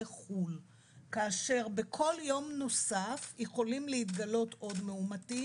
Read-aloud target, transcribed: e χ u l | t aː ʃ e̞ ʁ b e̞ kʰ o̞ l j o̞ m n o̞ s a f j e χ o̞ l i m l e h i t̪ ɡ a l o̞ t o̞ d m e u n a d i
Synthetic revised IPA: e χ u l | k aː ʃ e̞ ʁ b e̞ kʰ o̞ l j o̞ m n o̞ s a f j e χ o̞ l i m l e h i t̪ ɡ a l o̞ t o̞ d m e u m a t i